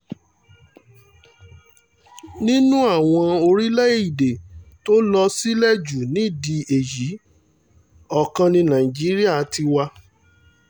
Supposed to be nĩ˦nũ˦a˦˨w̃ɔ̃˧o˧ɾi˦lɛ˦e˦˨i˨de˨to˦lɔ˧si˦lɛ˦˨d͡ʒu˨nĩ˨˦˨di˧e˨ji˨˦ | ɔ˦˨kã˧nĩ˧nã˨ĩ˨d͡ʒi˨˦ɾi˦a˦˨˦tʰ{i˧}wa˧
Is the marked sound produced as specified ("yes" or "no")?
yes